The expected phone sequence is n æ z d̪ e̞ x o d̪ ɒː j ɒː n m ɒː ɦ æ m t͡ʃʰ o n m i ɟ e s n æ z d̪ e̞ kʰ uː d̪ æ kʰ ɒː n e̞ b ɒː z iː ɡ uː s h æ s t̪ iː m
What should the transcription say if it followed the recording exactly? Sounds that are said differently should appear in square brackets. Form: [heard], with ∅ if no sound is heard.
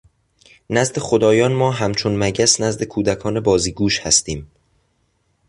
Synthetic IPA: n æ z d̪ e̞ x o d̪ ɒː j ɒː n m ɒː ɦ æ m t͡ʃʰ o n m [æ] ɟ [æ] s n æ z d̪ e̞ kʰ uː d̪ æ kʰ ɒː n e̞ b ɒː z iː ɡ uː [ʃ] h æ s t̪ iː m